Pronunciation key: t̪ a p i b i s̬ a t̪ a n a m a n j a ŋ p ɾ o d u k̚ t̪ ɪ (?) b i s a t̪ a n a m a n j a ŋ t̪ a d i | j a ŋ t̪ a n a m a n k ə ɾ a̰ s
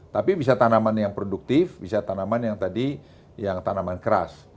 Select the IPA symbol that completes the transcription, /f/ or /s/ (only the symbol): f